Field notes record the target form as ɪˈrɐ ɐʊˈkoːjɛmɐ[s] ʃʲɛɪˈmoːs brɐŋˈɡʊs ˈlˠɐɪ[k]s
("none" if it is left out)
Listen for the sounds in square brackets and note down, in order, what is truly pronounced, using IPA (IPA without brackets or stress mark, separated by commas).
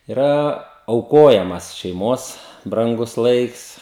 s, k